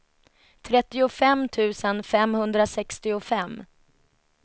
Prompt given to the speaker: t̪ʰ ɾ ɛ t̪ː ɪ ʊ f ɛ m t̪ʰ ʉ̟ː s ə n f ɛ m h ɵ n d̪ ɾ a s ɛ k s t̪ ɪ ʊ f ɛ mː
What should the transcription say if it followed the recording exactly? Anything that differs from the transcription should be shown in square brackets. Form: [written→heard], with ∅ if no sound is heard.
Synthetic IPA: t̪ʰ ɾ ɛ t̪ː ɪ ʊ f ɛ m t̪ʰ ʉ̟ː s ə n f ɛ m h ɵ n d̪ ɾ a s ɛ k s t̪ ɪ ʊ f ɛ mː